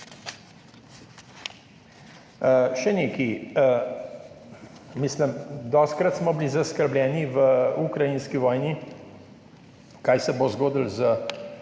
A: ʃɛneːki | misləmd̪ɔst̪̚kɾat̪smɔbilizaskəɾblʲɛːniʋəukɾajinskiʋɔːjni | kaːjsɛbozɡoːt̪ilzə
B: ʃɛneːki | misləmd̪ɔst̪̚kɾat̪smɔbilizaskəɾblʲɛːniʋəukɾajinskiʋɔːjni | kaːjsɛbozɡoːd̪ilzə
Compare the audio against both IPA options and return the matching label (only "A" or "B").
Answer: B